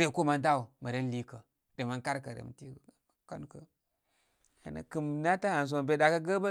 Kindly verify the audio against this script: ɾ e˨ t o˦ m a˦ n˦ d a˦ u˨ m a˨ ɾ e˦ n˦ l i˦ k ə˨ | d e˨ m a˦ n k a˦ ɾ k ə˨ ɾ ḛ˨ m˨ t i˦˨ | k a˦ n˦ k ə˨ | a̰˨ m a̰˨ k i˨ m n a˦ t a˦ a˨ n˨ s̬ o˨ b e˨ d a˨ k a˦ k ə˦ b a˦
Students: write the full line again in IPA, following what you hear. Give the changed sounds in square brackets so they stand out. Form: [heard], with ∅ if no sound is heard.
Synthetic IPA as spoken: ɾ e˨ [k] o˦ m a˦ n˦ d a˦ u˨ m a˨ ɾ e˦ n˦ l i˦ k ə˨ | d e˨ m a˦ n k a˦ ɾ k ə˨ ɾ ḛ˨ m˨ t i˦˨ | k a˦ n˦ k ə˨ | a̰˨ [n] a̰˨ k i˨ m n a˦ t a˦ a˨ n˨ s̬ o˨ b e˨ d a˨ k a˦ [ɡ] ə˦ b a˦